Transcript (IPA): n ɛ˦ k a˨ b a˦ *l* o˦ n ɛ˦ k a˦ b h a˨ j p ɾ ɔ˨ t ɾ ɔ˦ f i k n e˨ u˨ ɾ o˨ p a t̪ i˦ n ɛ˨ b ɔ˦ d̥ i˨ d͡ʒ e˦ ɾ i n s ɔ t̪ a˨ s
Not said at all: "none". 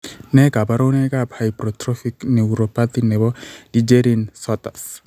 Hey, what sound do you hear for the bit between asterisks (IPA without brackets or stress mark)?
ɾ